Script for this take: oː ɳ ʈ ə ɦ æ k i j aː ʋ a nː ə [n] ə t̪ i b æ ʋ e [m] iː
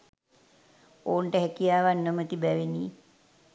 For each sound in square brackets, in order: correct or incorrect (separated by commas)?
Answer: incorrect, incorrect